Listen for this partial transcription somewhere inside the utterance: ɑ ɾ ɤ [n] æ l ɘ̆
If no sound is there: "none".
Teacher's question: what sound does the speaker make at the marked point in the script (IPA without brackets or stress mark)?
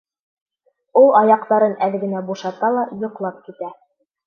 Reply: n